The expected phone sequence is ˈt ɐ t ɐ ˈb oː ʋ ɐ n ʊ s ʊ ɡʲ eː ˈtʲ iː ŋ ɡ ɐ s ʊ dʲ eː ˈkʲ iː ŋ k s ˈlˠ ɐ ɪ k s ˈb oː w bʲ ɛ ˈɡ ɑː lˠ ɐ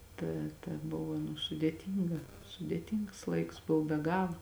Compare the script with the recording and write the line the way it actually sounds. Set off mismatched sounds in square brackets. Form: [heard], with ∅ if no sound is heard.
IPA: ˈt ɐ t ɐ ˈb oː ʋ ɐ n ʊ s ʊ [dʲ] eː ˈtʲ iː ŋ ɡ ɐ s ʊ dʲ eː [ˈtʲ] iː ŋ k s ˈlˠ ɐ ɪ k s ˈb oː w bʲ ɛ ˈɡ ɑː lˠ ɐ